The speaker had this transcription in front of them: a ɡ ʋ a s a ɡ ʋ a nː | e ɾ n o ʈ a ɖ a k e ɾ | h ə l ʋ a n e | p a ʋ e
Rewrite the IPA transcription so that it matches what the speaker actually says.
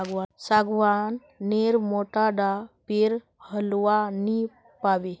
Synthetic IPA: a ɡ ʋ a s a ɡ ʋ a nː | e ɾ m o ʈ a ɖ a p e ɾ | h ə l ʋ a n i | p a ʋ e